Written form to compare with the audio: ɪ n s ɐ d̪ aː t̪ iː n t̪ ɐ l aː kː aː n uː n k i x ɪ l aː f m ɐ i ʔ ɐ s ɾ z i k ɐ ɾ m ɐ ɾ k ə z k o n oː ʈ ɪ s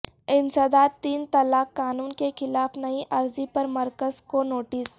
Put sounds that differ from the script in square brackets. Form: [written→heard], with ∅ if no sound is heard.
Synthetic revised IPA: ɪ n s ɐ d̪ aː t̪ iː n t̪ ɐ l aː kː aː n uː n k [i→e] x ɪ l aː f [m→n] ɐ i ʔ ɐ [s→∅] ɾ z i [k→p] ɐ ɾ m ɐ ɾ k ə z k o n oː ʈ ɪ s